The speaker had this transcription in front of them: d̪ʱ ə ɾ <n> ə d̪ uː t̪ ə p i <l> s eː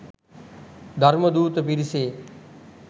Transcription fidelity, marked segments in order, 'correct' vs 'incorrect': incorrect: m, incorrect: ɾ

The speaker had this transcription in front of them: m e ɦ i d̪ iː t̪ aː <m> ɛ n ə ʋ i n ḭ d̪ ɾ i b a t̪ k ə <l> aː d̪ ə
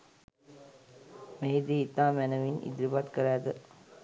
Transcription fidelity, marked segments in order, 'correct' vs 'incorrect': correct, incorrect: ɾ

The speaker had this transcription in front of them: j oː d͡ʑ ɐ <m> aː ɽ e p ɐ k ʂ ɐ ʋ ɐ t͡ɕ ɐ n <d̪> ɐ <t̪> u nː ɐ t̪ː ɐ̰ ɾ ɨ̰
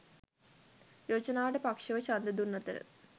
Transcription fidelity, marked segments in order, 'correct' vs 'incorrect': incorrect: n, correct, incorrect: d̪

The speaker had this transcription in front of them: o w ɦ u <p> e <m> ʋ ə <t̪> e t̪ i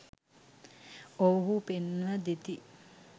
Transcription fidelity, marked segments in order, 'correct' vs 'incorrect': correct, incorrect: n, incorrect: d̪

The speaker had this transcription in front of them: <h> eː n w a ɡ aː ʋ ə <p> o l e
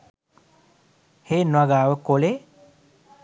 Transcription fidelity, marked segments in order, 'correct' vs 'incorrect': correct, incorrect: k

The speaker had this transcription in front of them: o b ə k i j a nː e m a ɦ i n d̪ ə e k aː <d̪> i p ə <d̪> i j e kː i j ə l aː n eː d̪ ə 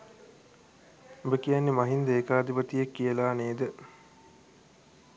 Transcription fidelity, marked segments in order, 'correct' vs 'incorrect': correct, incorrect: t̪

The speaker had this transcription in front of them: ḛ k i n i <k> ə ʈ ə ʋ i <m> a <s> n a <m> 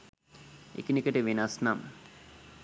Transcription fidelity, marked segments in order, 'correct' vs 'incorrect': correct, incorrect: n, correct, correct

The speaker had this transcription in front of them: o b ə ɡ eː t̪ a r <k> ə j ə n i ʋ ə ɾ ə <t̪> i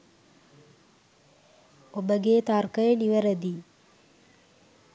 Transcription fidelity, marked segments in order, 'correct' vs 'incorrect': correct, incorrect: d̪

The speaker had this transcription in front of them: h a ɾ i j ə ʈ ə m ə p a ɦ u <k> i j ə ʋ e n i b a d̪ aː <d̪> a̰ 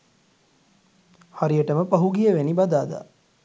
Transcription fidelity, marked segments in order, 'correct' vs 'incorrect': incorrect: ɡ, correct

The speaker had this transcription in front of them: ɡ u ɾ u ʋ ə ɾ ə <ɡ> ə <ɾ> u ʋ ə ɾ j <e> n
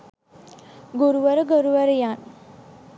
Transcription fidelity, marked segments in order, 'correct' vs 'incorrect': correct, correct, incorrect: a

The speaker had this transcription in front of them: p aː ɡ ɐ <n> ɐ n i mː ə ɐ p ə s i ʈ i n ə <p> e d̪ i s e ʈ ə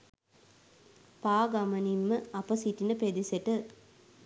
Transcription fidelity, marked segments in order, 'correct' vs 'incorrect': incorrect: m, correct

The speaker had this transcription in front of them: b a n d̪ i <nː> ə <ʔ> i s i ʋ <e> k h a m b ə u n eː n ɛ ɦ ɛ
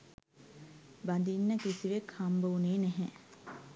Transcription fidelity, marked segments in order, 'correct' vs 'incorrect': correct, incorrect: k, correct

